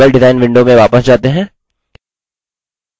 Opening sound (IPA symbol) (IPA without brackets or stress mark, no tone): ə